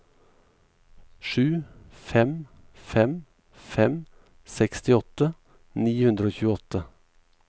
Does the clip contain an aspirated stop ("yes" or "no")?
no